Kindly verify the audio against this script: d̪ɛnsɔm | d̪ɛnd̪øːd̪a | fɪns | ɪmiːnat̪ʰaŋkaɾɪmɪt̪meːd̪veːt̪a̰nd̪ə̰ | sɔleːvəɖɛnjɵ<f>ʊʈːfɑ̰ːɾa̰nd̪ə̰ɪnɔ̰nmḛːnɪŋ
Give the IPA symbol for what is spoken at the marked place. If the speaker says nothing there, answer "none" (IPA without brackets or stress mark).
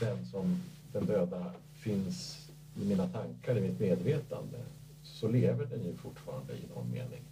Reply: f